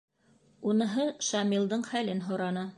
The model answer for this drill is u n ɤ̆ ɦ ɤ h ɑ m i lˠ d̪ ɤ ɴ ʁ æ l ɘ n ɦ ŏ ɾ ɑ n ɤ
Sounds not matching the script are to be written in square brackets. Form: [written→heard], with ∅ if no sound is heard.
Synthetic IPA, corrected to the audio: u n ɤ̆ ɦ ɤ [h→ʃ] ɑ m i lˠ d̪ ɤ ɴ [ʁ→χ] æ l ɘ n ɦ ŏ ɾ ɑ n ɤ